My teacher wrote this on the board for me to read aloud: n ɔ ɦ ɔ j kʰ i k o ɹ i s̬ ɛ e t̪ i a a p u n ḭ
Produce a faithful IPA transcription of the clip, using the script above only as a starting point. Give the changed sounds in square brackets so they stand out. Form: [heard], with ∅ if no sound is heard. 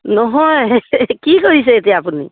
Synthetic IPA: n ɔ ɦ ɔ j [k] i k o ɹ i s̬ ɛ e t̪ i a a p u n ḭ